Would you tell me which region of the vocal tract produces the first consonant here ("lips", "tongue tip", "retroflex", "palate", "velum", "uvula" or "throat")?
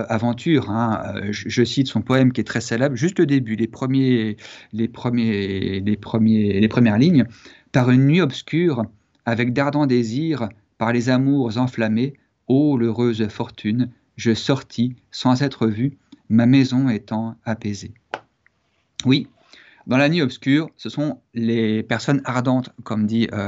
lips